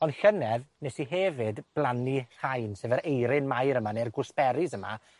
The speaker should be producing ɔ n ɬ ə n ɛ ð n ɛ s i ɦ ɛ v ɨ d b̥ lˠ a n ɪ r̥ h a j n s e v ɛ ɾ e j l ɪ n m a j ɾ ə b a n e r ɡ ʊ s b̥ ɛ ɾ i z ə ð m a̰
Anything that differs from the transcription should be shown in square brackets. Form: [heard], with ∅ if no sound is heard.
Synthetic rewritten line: ɔ n ɬ ə n ɛ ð n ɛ s i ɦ ɛ v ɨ d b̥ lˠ a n [i] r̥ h a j n s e v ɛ ɾ e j [ɾ] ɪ n m a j ɾ ə [m] a n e r ɡ ʊ s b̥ ɛ ɾ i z ə [∅] m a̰